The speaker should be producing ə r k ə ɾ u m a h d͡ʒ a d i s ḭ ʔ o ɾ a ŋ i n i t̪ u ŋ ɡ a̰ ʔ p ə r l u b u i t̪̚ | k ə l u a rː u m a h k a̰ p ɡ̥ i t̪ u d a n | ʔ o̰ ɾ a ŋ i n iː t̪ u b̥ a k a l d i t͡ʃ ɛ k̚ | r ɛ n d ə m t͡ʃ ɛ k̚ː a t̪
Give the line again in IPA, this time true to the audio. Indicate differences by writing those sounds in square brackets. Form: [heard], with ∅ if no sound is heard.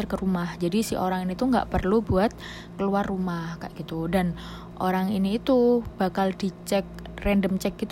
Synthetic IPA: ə r k ə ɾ u m a h d͡ʒ a d i s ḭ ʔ o ɾ a ŋ i n i t̪ u ŋ ɡ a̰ ʔ p ə r l u b u [a] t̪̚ | k ə l u a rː u m a h k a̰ [ʔ] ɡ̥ i t̪ u d a n | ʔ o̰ ɾ a ŋ i n iː t̪ u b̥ a k a l d i t͡ʃ ɛ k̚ | r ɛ n d ə m t͡ʃ ɛ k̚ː [i] t̪